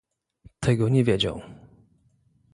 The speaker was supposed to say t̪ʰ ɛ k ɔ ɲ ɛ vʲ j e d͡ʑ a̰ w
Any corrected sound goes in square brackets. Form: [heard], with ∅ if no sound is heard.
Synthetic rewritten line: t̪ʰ ɛ [ɡ] ɔ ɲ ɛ vʲ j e d͡ʑ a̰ w